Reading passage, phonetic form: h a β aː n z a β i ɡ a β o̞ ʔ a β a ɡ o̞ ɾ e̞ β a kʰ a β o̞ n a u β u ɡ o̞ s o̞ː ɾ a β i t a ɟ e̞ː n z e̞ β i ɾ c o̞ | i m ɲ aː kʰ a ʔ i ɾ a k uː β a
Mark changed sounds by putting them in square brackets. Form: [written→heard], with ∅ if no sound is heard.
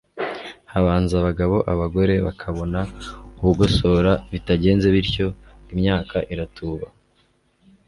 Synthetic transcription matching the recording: h a β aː n z a β [i→a] ɡ a β o̞ ʔ a β a ɡ o̞ ɾ e̞ β a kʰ a β o̞ n a u β u ɡ o̞ s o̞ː ɾ a β i t a ɟ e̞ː n z e̞ β i ɾ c o̞ | i m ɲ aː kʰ a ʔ i ɾ a [k→t] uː β a